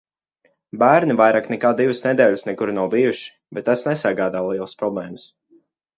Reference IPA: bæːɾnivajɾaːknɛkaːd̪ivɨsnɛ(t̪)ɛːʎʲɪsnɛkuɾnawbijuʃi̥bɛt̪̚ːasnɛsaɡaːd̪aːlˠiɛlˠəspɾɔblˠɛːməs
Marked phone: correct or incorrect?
incorrect